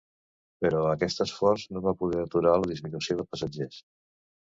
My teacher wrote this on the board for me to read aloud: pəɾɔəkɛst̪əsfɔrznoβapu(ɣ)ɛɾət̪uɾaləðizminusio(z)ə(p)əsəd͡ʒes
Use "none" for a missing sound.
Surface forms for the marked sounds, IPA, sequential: ð, ð, p

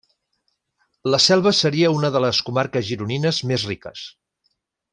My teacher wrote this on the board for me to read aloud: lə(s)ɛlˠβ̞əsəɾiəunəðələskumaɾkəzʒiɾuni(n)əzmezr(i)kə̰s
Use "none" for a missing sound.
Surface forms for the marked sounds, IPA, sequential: s, n, i

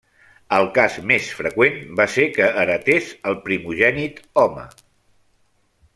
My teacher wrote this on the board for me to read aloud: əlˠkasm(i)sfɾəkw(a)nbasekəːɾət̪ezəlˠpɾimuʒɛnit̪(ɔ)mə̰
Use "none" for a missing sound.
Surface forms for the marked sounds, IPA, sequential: e, e, ɔ

